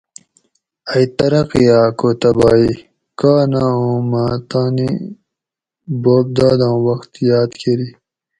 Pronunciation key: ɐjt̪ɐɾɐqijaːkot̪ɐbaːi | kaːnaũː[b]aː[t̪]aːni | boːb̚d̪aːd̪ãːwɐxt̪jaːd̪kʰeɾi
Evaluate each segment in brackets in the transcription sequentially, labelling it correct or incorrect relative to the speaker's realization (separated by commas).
incorrect, correct